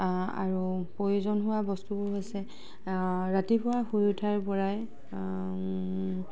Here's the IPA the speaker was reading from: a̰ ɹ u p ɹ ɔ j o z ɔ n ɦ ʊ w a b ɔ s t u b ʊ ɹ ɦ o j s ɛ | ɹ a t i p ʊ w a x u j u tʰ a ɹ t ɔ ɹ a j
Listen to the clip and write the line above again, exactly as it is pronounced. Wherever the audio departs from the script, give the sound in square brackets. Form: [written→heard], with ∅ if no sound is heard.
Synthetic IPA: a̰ ɹ u p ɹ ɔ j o z ɔ n ɦ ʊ w a b ɔ s t u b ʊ ɹ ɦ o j s ɛ | ɹ a t i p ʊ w a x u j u tʰ a ɹ [t→p] ɔ ɹ a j